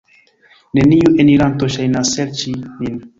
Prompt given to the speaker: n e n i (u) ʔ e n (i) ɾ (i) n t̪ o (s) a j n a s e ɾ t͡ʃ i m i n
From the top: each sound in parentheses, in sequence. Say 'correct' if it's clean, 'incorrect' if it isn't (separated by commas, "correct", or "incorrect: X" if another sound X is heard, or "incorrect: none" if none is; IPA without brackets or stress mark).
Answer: correct, correct, incorrect: a, incorrect: ʃ